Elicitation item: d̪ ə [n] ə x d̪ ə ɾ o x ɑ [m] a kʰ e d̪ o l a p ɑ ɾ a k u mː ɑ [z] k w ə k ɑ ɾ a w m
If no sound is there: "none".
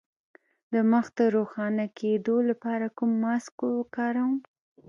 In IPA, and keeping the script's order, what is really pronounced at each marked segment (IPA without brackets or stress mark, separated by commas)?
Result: m, n, s